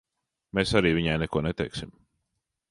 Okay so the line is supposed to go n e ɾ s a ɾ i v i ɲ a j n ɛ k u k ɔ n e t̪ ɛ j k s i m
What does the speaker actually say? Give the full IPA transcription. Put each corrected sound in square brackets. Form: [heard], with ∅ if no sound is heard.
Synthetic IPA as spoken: [m] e [∅] s a ɾ [iː] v i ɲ a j n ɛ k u [∅] ɔ n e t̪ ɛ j k s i m